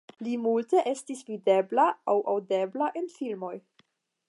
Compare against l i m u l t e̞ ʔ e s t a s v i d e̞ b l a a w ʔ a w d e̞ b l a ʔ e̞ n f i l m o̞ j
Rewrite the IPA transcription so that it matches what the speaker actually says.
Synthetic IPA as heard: l i m u l t e̞ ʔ e s t i s v i d e̞ b l a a w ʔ a w d e̞ b l a ʔ e̞ n f i l m o̞ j